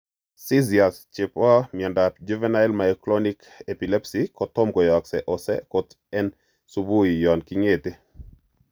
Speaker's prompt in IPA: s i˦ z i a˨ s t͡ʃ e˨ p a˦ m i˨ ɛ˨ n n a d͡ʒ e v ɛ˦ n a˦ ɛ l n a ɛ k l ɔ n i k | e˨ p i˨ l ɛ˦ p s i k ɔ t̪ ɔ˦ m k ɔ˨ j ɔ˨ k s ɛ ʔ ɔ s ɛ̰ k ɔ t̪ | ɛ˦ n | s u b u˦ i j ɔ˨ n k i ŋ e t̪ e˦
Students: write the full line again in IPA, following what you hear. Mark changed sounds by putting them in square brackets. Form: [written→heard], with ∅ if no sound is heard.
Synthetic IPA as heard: s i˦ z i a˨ s t͡ʃ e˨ p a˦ m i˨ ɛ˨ n [n→d] a d͡ʒ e v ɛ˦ n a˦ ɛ l [n→m] a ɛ k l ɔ n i k | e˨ p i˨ l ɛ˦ p s i k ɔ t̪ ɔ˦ m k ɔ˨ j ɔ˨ k s ɛ ʔ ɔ s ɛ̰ k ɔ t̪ | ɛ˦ n | s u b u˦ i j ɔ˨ n k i ŋ e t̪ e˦

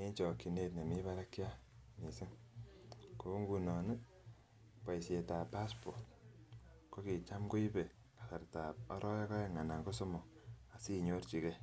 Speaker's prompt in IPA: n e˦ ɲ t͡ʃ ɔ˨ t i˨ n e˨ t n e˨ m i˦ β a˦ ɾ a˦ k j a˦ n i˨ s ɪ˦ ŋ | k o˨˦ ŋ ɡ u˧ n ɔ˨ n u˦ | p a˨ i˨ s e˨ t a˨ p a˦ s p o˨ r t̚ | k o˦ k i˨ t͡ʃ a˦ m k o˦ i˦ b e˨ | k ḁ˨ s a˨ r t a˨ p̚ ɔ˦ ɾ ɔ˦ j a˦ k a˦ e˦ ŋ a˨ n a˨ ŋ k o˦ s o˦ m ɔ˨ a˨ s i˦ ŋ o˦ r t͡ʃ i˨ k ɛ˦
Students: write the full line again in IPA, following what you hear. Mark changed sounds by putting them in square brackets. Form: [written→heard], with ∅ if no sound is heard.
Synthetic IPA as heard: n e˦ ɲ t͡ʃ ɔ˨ [t→k] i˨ n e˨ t n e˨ m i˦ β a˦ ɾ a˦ k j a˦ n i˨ s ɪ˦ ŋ | k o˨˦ ŋ ɡ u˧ n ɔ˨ n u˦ | p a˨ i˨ s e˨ t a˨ p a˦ s p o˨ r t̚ | k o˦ k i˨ t͡ʃ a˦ m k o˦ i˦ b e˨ | k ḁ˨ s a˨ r t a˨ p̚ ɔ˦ ɾ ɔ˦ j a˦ k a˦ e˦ ŋ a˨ n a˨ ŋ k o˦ s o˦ m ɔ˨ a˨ s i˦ [ŋ→ɲ] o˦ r t͡ʃ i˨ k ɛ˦

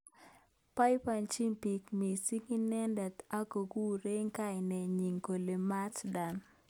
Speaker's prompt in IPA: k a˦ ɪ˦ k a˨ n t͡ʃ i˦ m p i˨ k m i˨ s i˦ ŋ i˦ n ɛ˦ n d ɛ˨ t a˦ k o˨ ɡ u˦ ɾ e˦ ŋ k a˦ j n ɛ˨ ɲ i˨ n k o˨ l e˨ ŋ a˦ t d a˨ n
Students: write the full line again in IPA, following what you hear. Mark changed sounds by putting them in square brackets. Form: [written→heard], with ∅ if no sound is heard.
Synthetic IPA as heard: [k→p] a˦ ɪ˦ [k→p] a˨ n t͡ʃ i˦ m p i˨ k m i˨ s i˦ ŋ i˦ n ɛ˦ n d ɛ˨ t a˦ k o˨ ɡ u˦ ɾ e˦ ŋ k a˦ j n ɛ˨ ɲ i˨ [n→ŋ] k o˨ l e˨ [ŋ→m] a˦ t d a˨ n

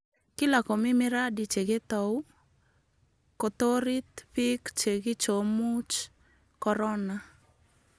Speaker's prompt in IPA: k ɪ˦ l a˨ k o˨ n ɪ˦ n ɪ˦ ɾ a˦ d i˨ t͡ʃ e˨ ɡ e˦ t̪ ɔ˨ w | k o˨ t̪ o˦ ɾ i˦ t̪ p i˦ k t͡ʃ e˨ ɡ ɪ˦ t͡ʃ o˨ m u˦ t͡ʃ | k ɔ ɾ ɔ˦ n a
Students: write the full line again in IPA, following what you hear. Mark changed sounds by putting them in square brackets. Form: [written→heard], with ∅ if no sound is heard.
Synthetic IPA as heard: k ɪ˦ l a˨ k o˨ [n→m] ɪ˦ [n→m] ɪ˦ ɾ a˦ d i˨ t͡ʃ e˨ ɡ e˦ t̪ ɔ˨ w | k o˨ t̪ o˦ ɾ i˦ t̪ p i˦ k t͡ʃ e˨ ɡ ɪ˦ t͡ʃ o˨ m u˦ t͡ʃ | k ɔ ɾ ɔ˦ n a

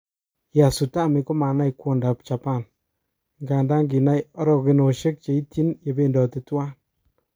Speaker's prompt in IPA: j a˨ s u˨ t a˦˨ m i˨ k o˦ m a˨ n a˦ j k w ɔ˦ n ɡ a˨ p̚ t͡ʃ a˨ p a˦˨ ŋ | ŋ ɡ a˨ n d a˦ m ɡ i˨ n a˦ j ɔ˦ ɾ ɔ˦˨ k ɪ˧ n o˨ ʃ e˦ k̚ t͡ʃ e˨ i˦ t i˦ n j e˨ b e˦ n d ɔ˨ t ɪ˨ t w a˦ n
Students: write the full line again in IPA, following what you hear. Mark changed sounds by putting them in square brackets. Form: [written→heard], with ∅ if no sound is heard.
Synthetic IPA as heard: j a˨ s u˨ t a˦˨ m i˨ k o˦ m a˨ n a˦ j k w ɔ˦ n [ɡ→d] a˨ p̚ t͡ʃ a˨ p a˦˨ [ŋ→n] | ŋ ɡ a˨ n d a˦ [m→ŋ] ɡ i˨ n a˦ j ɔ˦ ɾ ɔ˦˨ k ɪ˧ n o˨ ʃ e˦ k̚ t͡ʃ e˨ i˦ t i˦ n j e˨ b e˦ n d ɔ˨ t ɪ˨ t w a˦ n

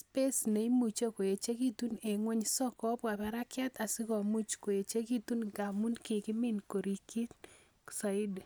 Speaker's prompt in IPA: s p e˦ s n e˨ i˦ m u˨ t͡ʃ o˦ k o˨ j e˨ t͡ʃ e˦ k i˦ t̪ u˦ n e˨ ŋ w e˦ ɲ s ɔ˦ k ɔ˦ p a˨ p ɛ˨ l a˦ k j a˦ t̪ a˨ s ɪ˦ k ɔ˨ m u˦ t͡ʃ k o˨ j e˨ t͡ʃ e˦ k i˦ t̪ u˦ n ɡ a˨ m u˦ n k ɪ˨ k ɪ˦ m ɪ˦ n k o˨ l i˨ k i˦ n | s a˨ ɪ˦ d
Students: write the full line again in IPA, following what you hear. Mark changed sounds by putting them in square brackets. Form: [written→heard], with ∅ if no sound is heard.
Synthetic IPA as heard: s p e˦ s n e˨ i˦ m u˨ t͡ʃ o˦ k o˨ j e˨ t͡ʃ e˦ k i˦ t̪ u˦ n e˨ ŋ w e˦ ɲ s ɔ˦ k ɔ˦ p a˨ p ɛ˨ [l→ɾ] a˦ k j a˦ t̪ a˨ s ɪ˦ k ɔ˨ m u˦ t͡ʃ k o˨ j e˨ t͡ʃ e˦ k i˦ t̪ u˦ n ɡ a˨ m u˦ n k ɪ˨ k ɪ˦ m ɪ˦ n k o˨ [l→ɾ] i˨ k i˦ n | s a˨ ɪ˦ d

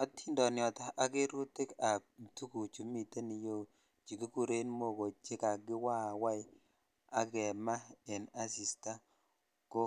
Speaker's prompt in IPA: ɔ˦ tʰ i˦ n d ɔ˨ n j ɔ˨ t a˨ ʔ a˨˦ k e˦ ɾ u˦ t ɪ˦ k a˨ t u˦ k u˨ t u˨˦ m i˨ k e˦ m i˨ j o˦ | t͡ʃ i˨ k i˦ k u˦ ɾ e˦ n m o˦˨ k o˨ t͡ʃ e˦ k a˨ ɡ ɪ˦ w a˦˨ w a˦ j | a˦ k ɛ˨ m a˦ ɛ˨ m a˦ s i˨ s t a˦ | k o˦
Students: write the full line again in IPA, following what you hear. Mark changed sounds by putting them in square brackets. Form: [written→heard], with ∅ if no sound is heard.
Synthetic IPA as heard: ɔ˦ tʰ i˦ n d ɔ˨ n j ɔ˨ t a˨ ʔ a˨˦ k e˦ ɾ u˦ t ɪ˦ k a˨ t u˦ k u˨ [t→t͡ʃ] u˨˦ m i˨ [k→t] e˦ [m→n] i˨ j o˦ | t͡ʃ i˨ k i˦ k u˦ ɾ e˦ n m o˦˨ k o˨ t͡ʃ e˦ k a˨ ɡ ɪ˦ w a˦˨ w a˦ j | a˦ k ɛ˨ m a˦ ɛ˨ [m→n] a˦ s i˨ s t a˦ | k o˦

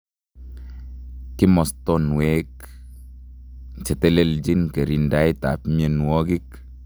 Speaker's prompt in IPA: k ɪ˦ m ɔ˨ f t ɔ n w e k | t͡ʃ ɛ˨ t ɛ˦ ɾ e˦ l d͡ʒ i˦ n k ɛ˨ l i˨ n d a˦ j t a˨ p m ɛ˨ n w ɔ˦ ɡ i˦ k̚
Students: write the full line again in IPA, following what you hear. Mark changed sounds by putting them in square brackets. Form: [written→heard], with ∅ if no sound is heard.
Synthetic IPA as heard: k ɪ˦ m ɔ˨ [f→s] t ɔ n w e k | t͡ʃ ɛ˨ t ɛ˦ [ɾ→l] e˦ l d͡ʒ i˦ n k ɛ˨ [l→ɾ] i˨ n d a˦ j t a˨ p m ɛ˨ n w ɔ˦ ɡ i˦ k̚

